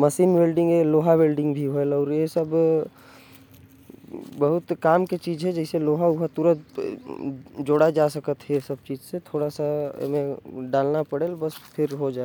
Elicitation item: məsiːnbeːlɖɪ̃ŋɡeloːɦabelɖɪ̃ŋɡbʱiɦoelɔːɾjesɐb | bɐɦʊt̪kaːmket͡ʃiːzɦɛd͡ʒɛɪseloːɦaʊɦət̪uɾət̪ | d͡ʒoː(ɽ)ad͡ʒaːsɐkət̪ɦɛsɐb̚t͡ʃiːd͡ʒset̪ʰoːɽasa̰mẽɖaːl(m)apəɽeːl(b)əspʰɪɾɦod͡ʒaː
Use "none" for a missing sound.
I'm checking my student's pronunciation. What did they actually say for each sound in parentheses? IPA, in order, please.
ɽ, n, b

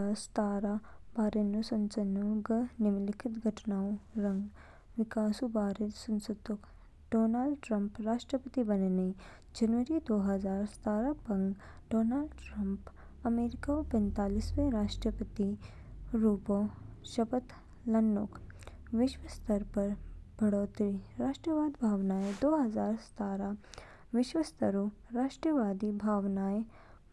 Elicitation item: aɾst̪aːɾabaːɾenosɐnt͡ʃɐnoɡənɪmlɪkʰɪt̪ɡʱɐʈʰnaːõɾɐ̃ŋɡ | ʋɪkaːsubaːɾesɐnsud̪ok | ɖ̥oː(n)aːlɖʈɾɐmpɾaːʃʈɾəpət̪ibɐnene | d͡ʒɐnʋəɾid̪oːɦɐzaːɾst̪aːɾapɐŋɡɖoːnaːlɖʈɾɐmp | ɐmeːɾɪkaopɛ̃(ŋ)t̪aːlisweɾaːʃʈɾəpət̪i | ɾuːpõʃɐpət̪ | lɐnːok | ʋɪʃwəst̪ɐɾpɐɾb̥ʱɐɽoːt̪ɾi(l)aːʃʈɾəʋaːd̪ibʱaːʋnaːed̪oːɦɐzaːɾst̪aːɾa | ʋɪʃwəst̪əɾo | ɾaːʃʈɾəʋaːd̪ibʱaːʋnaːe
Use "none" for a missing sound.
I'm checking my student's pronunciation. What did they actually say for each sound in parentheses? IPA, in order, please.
n, n, ɾ

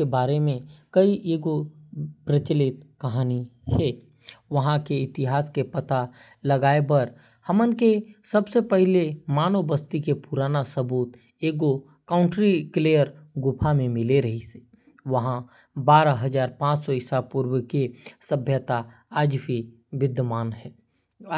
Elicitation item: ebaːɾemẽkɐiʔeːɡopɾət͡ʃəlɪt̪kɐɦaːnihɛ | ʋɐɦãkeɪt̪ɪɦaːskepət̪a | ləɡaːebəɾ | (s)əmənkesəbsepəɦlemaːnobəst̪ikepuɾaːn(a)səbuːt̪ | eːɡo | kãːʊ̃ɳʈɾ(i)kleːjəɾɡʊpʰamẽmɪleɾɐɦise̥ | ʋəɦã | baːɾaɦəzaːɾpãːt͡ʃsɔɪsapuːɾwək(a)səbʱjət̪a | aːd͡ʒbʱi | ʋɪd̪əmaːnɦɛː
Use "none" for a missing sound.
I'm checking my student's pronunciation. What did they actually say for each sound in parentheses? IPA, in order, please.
h, a, i, e

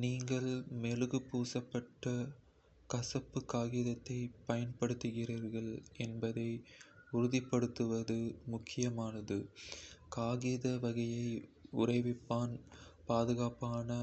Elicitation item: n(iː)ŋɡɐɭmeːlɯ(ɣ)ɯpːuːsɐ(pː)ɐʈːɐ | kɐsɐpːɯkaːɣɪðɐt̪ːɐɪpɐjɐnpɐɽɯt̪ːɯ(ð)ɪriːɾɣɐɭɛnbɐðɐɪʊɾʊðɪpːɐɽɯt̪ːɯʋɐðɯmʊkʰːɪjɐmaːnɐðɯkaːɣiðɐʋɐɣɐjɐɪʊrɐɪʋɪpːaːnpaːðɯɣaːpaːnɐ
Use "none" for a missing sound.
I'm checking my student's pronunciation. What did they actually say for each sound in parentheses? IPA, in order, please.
iː, ɣ, pː, ɣ

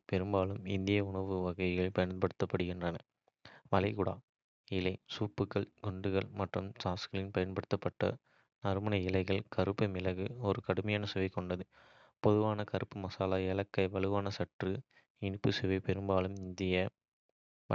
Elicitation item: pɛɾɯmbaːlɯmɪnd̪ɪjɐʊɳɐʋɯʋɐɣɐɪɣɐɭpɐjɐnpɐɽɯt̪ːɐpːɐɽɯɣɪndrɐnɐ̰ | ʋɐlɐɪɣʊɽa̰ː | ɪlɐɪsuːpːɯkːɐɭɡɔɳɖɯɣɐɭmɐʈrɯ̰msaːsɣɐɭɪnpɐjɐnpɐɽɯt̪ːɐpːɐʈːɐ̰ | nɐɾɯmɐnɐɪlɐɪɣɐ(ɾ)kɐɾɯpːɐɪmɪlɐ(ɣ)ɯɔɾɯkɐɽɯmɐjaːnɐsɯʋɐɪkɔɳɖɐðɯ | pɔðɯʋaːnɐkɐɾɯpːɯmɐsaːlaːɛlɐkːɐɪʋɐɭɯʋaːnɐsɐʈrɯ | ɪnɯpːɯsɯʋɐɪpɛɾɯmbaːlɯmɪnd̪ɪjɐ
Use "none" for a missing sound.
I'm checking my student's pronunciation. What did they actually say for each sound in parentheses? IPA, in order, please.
ɭ, ɣ

